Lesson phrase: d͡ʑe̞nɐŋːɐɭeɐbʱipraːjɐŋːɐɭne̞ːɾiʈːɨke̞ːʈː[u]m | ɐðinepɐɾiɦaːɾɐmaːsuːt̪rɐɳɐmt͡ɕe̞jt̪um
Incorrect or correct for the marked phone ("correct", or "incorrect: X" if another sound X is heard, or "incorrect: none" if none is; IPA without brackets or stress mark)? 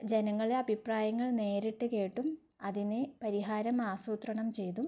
correct